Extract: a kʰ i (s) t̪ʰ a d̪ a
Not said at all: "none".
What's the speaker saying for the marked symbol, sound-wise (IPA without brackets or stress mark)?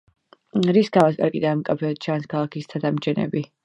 s